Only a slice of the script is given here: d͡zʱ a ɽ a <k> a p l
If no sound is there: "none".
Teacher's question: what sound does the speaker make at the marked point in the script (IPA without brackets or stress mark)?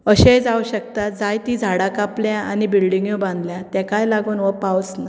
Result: k